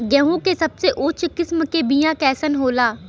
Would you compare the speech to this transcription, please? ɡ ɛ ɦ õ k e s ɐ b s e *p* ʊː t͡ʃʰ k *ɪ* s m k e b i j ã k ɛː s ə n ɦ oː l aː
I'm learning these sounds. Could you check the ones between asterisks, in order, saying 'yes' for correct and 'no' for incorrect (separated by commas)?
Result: no, yes